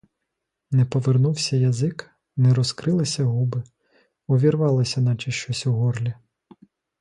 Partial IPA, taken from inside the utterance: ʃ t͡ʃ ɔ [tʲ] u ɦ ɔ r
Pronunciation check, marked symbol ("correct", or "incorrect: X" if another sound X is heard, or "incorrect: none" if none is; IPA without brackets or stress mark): incorrect: sʲ